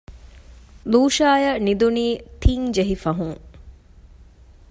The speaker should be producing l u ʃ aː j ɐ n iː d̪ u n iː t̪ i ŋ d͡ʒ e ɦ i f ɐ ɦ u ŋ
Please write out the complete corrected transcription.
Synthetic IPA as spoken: l uː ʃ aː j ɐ n i d̪ u n iː t̪ i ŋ d͡ʒ e ɦ i f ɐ ɦ u ŋ